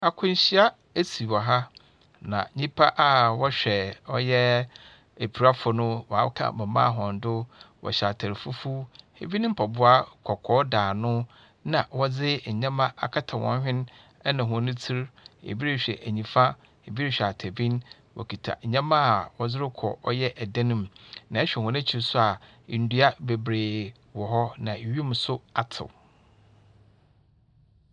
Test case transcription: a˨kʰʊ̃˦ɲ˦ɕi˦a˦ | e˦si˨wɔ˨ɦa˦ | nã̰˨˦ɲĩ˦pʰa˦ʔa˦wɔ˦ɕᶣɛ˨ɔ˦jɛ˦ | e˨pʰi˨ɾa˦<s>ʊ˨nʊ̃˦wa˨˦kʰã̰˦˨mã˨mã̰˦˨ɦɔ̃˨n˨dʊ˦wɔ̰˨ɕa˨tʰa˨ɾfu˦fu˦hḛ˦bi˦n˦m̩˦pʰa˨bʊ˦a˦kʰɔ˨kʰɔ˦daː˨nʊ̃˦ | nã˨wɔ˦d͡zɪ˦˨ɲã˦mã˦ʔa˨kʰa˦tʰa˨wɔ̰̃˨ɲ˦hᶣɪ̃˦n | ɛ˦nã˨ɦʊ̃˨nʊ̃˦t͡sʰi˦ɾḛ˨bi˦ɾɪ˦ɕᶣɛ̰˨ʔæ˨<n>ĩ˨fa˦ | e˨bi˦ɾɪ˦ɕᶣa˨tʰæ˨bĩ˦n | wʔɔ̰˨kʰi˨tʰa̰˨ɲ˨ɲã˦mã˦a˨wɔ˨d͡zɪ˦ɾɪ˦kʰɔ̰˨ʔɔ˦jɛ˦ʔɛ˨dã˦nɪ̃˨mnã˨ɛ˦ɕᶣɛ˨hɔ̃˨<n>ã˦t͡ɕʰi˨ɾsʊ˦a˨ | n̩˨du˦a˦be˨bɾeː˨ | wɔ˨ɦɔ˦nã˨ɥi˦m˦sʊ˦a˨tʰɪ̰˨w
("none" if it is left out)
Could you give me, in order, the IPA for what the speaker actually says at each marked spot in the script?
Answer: f, ɲ, n

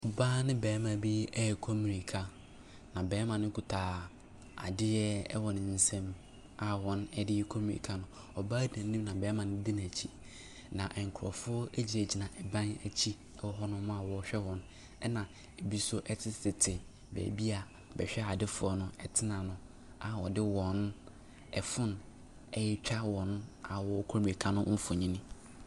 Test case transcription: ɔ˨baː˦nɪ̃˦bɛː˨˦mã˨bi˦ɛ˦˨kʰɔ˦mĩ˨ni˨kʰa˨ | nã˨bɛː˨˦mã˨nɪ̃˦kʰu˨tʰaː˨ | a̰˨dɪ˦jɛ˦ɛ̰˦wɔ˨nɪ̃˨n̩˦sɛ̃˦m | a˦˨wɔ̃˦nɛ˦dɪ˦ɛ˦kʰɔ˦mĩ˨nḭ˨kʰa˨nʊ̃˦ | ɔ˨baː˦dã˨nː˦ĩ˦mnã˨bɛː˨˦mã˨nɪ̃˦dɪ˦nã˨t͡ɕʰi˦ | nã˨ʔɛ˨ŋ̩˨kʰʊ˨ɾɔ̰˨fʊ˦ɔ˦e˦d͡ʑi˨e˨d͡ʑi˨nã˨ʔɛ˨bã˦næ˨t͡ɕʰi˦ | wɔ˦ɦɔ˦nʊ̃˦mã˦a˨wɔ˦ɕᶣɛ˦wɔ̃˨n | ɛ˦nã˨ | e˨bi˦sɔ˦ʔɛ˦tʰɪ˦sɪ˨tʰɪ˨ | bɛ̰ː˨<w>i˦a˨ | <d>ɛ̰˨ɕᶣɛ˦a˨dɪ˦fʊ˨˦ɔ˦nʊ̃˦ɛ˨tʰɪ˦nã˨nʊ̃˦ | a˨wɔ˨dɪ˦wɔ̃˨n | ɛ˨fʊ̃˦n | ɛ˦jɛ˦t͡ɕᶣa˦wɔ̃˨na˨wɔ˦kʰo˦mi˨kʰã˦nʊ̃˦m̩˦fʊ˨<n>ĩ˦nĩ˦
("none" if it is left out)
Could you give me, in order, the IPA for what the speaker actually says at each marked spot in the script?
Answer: b, b, ɲ

